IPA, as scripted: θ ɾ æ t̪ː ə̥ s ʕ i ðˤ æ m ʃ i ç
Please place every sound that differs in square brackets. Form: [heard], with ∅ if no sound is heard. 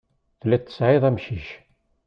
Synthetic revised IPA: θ [l] æ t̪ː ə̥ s ʕ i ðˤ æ m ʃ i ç